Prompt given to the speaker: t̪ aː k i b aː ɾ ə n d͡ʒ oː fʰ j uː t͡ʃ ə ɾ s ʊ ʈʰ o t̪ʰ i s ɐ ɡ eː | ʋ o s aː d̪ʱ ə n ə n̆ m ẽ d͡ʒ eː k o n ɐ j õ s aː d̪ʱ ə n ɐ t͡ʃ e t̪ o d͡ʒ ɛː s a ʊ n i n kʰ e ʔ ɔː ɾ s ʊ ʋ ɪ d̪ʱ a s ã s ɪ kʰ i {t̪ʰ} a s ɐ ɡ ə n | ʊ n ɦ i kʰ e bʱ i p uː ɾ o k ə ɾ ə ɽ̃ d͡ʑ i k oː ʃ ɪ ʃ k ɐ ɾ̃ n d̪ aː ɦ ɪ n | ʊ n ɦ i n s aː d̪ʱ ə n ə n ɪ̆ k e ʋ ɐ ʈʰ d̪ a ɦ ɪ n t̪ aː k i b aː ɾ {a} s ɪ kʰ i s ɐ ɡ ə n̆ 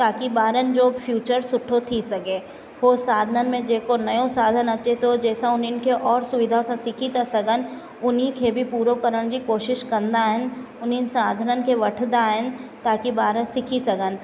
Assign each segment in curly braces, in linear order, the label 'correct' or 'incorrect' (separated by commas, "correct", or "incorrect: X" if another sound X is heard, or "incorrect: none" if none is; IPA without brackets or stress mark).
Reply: incorrect: t̪, incorrect: ə